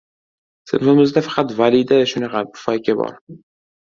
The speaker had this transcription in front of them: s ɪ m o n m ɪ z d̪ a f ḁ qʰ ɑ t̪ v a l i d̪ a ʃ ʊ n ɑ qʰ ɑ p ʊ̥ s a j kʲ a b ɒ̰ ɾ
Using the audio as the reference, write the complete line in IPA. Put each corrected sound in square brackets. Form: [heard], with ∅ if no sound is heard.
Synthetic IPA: s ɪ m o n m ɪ z d̪ a f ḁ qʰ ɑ t̪ v a l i d̪ a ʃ ʊ n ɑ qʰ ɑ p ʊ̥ [f] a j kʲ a b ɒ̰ ɾ